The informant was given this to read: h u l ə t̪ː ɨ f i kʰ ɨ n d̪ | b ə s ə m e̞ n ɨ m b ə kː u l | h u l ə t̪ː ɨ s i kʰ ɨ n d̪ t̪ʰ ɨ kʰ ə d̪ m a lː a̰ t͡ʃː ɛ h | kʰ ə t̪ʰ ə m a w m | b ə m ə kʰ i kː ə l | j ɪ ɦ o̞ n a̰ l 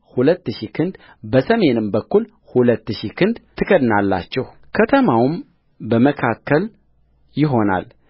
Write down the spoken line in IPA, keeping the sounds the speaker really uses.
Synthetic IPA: h u l ə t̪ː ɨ ʃ i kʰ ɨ n d̪ | b ə s ə m e̞ n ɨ m b ə kː u l | h u l ə t̪ː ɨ ʃ i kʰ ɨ n d̪ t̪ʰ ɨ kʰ ə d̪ n a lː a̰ t͡ʃː ɛ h | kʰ ə t̪ʰ ə m a w m | b ə m ə kʰ a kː ə l | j ɪ ɦ o̞ n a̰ l